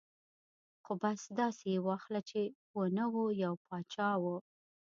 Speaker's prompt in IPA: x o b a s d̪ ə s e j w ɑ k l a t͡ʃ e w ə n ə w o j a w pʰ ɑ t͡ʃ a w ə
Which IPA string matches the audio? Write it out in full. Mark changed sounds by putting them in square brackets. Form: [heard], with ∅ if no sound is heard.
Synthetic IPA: x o b a s d̪ [ɑ] s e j w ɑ [x] l a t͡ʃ e w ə n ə w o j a w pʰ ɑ t͡ʃ [ɑ] w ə